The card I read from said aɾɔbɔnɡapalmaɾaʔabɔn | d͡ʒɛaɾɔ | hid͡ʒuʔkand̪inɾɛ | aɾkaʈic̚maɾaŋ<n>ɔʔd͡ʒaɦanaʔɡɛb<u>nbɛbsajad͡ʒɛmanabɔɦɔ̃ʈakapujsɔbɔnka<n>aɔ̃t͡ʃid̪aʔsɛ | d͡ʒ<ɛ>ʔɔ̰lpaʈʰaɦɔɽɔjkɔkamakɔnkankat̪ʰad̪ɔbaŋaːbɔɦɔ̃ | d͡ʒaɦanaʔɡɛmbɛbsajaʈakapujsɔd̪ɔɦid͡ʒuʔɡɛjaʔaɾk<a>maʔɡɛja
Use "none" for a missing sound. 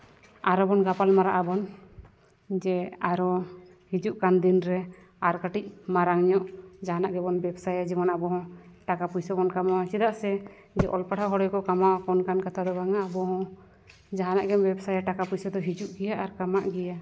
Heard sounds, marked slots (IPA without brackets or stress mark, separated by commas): ɲ, ɔ, m, ɛ, a